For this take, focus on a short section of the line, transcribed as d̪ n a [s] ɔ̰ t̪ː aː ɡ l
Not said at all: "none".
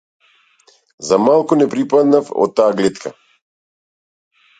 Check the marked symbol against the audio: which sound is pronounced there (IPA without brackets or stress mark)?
f